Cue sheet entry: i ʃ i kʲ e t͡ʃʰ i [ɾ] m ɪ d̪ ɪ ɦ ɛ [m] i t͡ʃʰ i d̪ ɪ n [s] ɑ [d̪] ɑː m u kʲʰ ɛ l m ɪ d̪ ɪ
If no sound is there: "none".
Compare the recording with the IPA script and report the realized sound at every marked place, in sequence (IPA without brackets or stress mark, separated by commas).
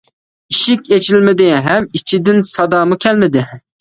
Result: l, m, s, d̪